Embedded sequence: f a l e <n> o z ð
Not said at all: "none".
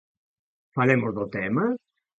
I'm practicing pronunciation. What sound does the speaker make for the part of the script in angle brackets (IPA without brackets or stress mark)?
m